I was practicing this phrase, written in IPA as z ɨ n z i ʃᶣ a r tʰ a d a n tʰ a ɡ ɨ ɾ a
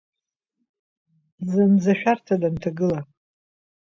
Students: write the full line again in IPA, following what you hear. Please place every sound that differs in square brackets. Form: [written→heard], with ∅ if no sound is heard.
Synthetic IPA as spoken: z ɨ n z [i→a] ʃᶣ a r tʰ a d a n tʰ a ɡ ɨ [ɾ→l] a